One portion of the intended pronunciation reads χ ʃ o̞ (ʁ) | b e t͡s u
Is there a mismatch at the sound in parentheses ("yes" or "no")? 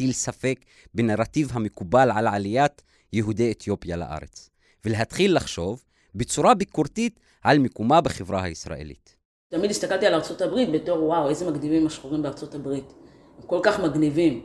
yes